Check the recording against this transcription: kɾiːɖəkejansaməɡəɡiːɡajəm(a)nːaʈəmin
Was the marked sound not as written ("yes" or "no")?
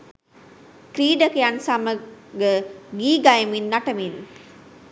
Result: yes